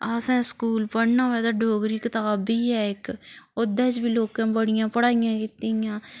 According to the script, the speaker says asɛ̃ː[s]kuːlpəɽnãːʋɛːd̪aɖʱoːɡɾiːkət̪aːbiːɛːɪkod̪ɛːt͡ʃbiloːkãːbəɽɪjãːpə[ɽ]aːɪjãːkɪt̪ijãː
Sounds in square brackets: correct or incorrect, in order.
correct, correct

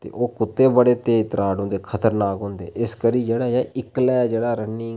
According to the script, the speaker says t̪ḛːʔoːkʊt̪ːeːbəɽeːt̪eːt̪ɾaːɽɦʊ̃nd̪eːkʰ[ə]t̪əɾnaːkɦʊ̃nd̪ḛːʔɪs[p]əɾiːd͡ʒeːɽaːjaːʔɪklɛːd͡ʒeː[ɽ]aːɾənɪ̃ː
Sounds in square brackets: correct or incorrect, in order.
correct, incorrect: k, correct

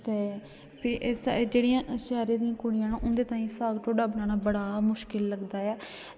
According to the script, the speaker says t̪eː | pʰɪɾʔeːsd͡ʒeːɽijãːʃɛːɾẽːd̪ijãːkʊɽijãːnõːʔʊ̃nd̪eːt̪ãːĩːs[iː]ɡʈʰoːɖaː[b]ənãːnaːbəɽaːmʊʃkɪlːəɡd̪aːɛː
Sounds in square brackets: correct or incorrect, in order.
incorrect: aː, correct

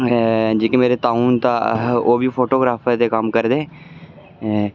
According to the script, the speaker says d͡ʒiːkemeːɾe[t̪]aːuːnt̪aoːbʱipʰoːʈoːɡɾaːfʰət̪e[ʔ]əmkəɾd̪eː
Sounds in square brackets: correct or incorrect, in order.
correct, incorrect: k

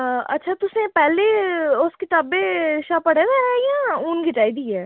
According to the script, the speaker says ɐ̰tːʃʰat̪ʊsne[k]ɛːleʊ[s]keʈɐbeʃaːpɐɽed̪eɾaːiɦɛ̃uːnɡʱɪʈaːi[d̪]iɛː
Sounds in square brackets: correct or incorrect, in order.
incorrect: p, correct, correct

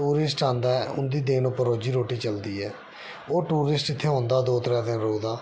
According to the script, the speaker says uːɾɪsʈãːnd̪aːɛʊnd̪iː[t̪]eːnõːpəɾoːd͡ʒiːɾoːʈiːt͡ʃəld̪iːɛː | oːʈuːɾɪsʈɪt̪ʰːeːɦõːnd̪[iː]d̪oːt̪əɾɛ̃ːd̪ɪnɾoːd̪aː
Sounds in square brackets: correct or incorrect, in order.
incorrect: d̪, incorrect: aː

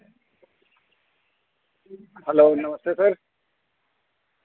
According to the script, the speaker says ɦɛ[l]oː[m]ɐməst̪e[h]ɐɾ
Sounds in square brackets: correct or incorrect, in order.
correct, incorrect: n, incorrect: s

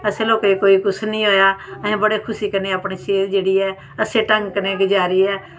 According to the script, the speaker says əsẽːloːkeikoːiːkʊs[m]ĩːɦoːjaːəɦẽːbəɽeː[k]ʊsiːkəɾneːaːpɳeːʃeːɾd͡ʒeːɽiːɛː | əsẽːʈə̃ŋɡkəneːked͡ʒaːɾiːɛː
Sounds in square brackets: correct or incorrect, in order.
incorrect: n, incorrect: kʰ

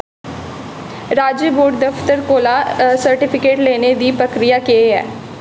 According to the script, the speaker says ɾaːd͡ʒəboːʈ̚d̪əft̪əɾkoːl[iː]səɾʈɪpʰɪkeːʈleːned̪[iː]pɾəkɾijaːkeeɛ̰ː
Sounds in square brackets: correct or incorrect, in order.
incorrect: aː, correct

